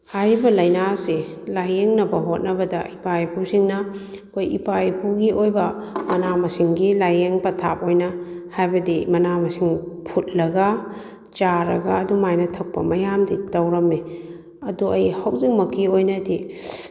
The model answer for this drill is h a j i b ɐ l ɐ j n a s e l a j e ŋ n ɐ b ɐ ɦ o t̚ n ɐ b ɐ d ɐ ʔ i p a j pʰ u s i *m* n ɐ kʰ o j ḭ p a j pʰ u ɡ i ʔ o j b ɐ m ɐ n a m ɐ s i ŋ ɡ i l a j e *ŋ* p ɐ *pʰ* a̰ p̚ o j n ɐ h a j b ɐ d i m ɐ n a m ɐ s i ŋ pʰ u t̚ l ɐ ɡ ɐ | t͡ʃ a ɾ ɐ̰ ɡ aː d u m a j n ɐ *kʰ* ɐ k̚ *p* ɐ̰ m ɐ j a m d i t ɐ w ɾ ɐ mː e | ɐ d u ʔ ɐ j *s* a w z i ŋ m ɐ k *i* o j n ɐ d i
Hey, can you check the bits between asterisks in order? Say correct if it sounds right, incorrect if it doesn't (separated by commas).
incorrect, correct, incorrect, incorrect, correct, incorrect, correct